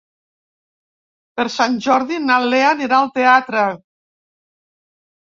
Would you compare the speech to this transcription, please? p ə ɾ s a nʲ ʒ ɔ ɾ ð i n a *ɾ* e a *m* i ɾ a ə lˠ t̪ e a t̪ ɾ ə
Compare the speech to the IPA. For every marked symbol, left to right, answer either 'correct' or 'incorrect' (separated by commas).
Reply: incorrect, incorrect